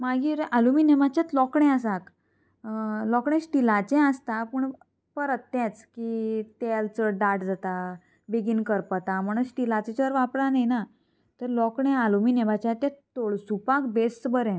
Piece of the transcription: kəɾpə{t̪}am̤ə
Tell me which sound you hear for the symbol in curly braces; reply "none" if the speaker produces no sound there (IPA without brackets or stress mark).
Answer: t̪